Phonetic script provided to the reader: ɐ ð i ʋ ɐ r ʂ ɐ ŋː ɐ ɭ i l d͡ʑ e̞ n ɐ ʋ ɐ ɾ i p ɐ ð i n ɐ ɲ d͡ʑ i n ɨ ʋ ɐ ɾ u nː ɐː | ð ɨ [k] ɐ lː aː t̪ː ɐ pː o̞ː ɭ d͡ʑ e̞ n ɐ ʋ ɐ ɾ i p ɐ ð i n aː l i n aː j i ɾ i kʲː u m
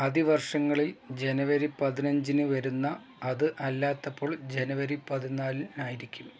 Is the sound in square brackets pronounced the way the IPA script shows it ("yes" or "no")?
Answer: no